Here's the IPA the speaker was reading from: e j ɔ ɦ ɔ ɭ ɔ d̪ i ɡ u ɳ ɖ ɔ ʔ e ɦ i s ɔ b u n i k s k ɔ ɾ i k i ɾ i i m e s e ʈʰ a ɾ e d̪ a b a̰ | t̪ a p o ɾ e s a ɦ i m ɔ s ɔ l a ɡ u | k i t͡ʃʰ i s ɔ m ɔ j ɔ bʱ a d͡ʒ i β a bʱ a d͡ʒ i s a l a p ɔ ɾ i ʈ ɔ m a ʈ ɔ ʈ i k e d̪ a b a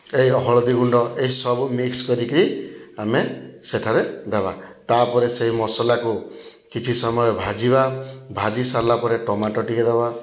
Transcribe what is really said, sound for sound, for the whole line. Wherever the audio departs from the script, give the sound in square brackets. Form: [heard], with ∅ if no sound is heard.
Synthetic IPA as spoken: e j ɔ ɦ ɔ ɭ ɔ d̪ i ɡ u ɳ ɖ ɔ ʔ e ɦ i s ɔ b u [m] i k s k ɔ ɾ i k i ɾ i [a] m e s e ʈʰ a ɾ e d̪ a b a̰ | t̪ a p [ɔ] ɾ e s [e] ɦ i m ɔ s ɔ l a [k] u | k i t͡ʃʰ i s ɔ m ɔ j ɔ bʱ a d͡ʒ i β a bʱ a d͡ʒ i s a l a p ɔ ɾ [e] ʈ ɔ m a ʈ ɔ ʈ i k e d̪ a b a